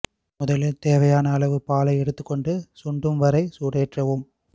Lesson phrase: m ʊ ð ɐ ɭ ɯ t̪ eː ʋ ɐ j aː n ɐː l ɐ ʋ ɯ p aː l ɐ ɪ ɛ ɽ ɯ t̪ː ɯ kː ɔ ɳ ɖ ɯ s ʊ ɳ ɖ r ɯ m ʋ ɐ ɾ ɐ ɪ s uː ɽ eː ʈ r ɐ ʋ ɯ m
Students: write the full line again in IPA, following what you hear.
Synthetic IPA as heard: m ʊ ð ɐ l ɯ t̪ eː ʋ ɐ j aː n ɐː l ɐ ʋ ɯ p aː l ɐ ɪ ɛ ɽ ɯ t̪ː ɯ kː ɔ ɳ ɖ ɯ s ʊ ɳ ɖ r ɯ m ʋ ɐ ɾ ɐ ɪ s uː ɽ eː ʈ r ɐ ʋ ɯ m